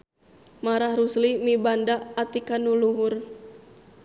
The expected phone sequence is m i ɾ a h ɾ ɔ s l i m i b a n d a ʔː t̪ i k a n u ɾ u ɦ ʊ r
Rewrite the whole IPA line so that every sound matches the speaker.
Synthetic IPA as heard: m a ɾ a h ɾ u s l i m i b a n d a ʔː t̪ i k a n u l u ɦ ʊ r

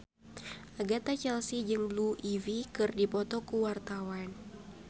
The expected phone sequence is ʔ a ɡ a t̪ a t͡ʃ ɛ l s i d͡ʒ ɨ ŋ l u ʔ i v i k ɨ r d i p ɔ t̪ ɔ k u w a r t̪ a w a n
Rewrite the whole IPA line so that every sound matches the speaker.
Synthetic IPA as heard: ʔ a ɡ a t̪ a t͡ʃ ɛ l s i d͡ʒ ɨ ŋ l u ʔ i v i k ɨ r d i p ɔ t̪ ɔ k u w a r t̪ a w a n

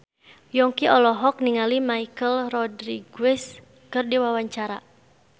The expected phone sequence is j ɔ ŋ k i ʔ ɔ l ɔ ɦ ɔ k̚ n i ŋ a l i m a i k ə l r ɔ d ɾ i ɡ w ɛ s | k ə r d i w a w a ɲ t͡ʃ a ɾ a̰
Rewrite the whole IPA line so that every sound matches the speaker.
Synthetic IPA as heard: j ɔ ŋ k i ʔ ɔ l ɔ ɦ ɔ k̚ n i ŋ a l i m a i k ə l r ɔ d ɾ i ɡ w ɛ s | k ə r d i w a w a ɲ t͡ʃ a ɾ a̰

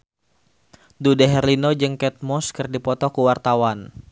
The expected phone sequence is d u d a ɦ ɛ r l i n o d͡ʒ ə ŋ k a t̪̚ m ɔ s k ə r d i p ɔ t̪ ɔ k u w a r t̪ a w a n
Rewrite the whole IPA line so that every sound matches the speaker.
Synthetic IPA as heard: d u d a ɦ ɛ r l i n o d͡ʒ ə ŋ k ɛ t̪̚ m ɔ s k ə r d i p ɔ t̪ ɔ k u w a r t̪ a w a n

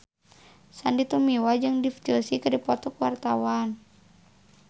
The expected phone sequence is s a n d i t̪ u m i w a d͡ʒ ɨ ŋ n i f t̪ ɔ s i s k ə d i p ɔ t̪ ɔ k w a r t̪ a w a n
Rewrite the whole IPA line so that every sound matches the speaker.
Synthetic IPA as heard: s a n d i t̪ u m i w a d͡ʒ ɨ ŋ d i f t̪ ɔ s i k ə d i p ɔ t̪ ɔ k w a r t̪ a w a n

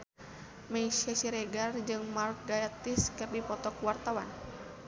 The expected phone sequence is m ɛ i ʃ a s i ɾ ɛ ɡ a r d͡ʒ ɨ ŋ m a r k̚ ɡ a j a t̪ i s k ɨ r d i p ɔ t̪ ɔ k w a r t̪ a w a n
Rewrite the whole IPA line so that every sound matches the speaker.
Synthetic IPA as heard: m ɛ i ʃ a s i ɾ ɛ ɡ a r d͡ʒ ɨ ŋ m a r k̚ ɡ a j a t̪ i s k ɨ r d i p ɔ t̪ ɔ k w a r t̪ a w a n

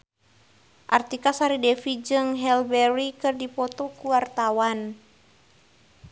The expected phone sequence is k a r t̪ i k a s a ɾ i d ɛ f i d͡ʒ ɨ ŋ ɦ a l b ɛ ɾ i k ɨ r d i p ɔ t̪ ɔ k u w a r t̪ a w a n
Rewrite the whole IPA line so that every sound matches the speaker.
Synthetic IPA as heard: ʔ a r t̪ i k a s a ɾ i d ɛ f i d͡ʒ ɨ ŋ ɦ ɛ l b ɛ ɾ i k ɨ r d i p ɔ t̪ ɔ k u w a r t̪ a w a n

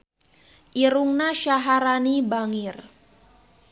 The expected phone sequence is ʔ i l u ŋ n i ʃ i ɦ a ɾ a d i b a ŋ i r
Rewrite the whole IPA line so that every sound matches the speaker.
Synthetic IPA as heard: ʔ i ɾ u ŋ n a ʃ a ɦ a ɾ a n i b a ŋ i r

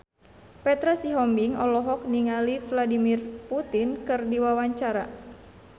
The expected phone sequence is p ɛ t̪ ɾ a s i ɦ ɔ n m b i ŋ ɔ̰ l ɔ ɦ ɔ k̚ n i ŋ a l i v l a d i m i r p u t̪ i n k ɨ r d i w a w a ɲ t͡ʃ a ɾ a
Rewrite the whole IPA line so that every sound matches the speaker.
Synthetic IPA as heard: p ɛ t̪ ɾ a s i ɦ ɔ m b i ŋ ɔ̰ l ɔ ɦ ɔ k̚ n i ŋ a l i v l a d i m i r p u t̪ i n k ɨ r d i w a w a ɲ t͡ʃ a ɾ a

